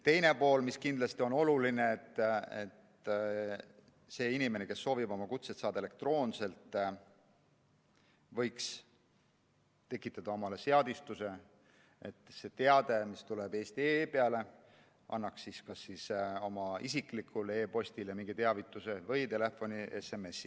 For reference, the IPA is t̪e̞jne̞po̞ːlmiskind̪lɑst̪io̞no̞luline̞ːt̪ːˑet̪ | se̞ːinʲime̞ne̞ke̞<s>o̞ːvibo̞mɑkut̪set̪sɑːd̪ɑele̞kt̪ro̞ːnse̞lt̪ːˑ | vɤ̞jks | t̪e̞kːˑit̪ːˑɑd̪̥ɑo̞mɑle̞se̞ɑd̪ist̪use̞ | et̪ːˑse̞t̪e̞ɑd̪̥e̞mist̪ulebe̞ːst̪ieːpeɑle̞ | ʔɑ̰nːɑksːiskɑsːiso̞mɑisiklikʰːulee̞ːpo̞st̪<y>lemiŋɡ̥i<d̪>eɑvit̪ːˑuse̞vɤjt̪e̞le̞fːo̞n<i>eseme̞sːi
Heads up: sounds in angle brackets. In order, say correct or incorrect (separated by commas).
incorrect, incorrect, incorrect, correct